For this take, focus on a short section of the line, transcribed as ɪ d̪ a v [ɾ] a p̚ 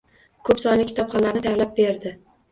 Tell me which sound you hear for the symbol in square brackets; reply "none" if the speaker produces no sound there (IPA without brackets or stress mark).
l